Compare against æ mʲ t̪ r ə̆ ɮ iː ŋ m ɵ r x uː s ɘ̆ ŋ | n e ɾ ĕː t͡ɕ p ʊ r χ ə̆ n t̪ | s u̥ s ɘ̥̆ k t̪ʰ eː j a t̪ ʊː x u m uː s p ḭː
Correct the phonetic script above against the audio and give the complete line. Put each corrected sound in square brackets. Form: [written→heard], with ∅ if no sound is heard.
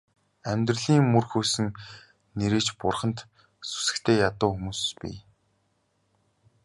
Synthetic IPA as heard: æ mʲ t̪ r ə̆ ɮ iː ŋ m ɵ r x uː s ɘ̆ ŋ | n e ɾ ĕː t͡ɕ p ʊ r χ ə̆ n t̪ | s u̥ s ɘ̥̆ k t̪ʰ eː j a t̪ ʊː x u m uː s p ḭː